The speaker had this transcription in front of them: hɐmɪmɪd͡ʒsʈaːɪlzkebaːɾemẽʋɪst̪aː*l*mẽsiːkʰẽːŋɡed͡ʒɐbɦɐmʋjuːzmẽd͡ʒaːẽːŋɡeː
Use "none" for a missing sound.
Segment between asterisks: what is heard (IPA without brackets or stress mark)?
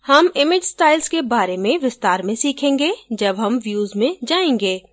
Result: ɾ